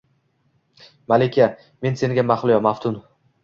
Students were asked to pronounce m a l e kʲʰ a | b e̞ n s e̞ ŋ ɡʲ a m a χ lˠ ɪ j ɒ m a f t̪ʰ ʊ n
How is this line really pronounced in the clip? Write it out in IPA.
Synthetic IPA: m a l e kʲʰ a | m e̞ n s e̞ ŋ ɡʲ a m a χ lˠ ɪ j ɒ m a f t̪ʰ ʊ n